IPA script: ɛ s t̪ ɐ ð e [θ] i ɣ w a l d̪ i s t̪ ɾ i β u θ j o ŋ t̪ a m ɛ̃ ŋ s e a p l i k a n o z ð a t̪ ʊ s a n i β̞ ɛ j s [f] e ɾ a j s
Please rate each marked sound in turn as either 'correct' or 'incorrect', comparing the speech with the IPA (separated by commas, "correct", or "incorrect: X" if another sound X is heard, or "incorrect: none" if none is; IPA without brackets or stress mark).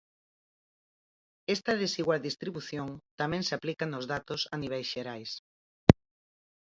incorrect: s, incorrect: ʃ